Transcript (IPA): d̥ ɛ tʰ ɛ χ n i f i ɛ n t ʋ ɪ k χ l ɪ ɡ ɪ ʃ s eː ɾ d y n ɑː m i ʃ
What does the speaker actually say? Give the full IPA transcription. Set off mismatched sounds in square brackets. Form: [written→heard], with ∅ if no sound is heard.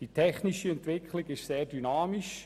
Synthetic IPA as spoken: d̥ [ɛ→i] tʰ ɛ χ n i [f→ʃ] i ɛ n t ʋ ɪ k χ l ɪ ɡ ɪ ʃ s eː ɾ d y n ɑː m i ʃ

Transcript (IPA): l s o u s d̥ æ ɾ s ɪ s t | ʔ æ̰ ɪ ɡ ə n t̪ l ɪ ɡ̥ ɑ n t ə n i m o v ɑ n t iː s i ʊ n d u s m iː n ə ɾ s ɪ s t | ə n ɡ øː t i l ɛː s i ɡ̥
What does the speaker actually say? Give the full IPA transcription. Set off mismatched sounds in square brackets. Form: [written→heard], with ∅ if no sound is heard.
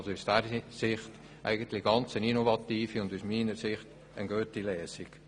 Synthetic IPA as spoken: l s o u s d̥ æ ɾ s ɪ [s→χ] t | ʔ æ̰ ɪ ɡ ə n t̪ l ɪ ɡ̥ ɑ n [t→t͡s] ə n i [m→n] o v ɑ [n→∅] t iː [s→f] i ʊ n d u s m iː n ə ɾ s ɪ [s→χ] t | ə n ɡ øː t i l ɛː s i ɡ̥

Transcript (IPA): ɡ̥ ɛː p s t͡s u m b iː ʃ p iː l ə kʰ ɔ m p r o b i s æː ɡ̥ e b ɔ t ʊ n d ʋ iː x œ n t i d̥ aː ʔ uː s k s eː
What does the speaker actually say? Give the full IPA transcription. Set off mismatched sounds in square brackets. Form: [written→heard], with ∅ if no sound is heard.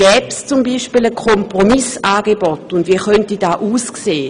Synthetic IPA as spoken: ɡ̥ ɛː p s t͡s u m b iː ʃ p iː l ə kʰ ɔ m p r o [b→m] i s [æː→aː] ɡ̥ e b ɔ t ʊ n d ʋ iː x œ n t i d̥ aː ʔ uː s k s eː

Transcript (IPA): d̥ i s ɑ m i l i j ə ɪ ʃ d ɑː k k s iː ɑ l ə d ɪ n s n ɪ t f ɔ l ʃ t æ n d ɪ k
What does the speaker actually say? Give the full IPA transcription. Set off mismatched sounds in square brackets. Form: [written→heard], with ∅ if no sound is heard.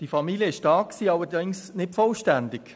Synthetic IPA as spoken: d̥ i [s→f] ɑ m i l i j ə ɪ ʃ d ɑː k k s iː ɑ l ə d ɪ [n→ŋ] s n ɪ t f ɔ l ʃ t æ n d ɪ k

